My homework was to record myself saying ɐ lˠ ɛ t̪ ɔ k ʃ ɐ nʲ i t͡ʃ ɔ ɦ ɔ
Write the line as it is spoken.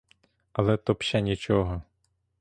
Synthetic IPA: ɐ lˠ ɛ t̪ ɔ p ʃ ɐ nʲ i t͡ʃ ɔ ɦ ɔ